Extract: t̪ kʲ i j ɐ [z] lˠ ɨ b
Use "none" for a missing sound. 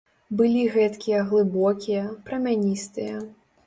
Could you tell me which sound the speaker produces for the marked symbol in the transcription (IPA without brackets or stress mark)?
ɣ